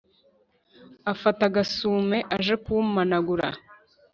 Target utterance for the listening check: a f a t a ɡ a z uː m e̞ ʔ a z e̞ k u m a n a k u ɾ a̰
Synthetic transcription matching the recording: a f a t a ɡ a s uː m e̞ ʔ a ʒ e̞ k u m a n a ɡ u ɾ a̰